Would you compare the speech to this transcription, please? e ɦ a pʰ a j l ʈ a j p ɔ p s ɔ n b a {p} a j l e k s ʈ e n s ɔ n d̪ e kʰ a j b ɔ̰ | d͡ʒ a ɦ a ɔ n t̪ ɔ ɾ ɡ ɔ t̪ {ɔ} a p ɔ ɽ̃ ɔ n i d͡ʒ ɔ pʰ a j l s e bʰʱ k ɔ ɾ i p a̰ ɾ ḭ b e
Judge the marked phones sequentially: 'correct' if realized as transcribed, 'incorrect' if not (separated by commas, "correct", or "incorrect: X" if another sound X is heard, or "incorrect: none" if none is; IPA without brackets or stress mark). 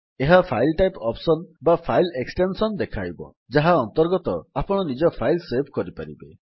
incorrect: pʰ, correct